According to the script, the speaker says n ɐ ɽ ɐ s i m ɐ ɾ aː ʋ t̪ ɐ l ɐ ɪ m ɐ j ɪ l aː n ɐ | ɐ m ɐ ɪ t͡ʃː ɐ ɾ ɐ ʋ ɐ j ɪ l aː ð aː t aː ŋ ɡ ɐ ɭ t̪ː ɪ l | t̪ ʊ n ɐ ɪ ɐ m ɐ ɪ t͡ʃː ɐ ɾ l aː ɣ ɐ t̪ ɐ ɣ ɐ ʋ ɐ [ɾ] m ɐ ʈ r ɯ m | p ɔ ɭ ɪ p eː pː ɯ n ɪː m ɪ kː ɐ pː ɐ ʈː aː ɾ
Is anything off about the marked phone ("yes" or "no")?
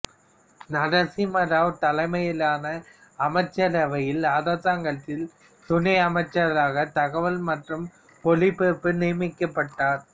yes